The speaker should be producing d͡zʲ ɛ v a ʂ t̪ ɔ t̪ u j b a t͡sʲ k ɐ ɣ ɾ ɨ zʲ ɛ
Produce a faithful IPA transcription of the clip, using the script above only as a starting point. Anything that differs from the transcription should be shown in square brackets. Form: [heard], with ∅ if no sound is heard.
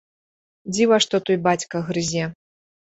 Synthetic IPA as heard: d͡zʲ [i] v a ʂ t̪ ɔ t̪ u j b a t͡sʲ k ɐ ɣ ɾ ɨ zʲ ɛ